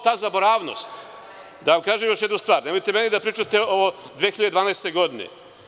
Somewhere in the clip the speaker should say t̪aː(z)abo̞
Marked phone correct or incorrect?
correct